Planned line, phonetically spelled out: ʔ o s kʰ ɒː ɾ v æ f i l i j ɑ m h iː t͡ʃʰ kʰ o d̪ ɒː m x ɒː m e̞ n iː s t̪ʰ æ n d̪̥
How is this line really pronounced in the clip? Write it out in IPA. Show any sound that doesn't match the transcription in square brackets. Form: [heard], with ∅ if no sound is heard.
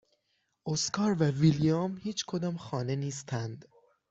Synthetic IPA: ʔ o s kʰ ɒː ɾ v æ [v] i l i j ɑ m h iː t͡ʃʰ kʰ o d̪ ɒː m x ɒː [n] e̞ n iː s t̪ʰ æ n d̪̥